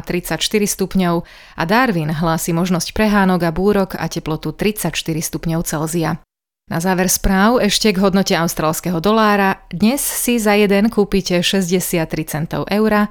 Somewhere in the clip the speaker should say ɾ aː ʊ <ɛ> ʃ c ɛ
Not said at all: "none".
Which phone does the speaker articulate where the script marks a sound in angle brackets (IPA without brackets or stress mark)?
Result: ɛ